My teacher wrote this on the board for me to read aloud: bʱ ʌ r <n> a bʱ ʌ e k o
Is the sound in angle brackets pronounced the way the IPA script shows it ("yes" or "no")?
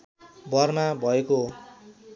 no